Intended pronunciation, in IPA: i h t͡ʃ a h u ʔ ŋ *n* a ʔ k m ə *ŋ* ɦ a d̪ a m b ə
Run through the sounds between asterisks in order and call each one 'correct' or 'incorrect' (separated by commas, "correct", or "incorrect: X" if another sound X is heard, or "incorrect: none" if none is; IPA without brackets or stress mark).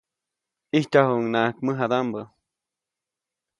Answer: correct, incorrect: none